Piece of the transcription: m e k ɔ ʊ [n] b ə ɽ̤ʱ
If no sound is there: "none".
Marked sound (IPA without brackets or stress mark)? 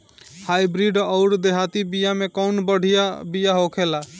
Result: n